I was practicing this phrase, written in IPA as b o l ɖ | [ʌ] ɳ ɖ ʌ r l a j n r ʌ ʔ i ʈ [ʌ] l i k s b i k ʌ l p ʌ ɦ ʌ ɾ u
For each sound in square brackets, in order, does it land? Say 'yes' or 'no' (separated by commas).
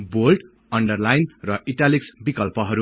yes, no